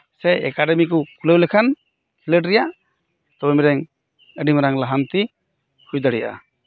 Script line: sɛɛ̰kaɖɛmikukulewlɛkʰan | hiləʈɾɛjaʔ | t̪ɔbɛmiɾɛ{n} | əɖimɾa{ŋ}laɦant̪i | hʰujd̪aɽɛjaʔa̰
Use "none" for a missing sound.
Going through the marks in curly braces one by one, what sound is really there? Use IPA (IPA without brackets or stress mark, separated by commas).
ŋ, ŋ